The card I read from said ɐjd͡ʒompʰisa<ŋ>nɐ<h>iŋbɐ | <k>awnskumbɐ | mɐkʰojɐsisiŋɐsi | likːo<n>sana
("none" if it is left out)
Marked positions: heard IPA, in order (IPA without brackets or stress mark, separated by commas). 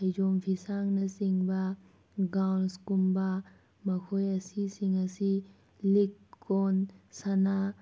ŋ, s, ɡ, n